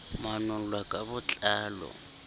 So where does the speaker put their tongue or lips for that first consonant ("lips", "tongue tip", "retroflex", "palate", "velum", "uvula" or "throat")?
lips